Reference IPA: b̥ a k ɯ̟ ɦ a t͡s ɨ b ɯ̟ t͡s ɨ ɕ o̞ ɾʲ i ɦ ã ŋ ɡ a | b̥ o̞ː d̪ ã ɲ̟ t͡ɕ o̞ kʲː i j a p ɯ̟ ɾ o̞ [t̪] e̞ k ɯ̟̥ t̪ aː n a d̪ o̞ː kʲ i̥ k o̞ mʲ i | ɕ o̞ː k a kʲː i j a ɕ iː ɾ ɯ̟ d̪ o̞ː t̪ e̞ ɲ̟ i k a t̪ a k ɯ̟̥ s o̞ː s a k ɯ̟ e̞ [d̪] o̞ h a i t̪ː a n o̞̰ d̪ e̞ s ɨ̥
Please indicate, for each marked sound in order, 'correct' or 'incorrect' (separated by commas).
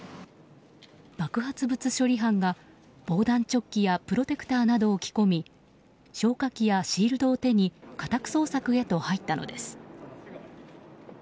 correct, incorrect